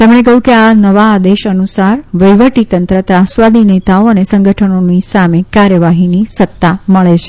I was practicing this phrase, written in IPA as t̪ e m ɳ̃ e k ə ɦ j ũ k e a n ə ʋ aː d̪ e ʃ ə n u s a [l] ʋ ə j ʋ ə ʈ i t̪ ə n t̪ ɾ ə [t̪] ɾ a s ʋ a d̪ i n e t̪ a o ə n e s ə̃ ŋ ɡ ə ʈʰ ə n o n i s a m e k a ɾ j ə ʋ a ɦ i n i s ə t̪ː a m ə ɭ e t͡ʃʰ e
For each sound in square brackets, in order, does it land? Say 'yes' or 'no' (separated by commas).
no, yes